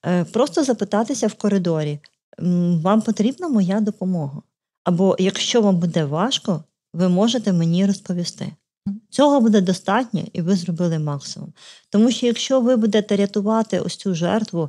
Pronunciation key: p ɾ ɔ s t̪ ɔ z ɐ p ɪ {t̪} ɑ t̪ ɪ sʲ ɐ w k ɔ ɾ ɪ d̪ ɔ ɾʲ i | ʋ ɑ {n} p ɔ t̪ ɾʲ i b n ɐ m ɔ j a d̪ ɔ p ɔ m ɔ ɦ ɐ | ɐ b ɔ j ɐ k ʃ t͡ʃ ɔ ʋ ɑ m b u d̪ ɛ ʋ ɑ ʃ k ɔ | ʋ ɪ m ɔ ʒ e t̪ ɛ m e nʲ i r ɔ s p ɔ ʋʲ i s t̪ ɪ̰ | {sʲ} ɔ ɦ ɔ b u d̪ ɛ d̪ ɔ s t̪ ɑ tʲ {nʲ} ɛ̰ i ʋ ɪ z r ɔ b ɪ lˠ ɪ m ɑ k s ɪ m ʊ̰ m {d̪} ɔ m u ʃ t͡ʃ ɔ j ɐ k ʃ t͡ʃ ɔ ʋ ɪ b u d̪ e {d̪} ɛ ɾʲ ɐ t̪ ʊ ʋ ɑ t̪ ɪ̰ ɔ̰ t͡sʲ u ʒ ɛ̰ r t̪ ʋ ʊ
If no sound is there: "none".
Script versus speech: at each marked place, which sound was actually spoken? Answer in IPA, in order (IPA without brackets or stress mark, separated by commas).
t̪, m, t͡sʲ, nʲ, t̪, t̪